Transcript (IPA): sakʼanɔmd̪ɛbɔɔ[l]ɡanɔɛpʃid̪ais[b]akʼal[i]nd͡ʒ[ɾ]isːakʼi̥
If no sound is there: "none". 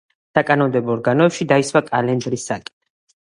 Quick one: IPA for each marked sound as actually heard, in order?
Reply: ɾ, w, ɛ, ɾ

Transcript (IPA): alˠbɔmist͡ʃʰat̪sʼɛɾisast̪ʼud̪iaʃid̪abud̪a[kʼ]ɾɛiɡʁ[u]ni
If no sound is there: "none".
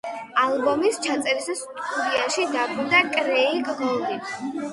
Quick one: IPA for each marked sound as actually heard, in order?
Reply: kʼ, ɔ

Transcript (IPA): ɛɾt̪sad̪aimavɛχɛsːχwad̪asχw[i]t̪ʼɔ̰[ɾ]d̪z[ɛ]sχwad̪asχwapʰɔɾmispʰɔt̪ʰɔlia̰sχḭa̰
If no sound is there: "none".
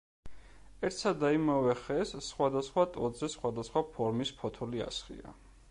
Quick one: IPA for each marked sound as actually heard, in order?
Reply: a, none, ɛ

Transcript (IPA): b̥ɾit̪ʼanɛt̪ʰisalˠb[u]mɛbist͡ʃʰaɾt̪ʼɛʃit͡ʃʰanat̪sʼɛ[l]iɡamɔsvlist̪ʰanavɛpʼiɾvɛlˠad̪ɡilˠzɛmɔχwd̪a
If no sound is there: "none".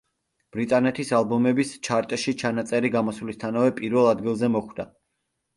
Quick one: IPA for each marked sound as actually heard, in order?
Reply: ɔ, ɾ

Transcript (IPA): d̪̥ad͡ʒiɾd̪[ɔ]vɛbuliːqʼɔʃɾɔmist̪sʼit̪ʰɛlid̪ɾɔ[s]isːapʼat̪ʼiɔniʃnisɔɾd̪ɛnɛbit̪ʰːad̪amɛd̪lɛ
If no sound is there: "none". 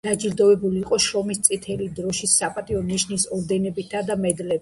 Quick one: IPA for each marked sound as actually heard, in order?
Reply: ɔ, ʃ

